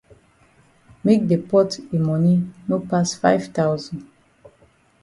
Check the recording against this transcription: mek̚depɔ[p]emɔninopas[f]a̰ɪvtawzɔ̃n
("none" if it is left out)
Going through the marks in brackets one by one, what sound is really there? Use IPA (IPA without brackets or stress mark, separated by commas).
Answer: t, f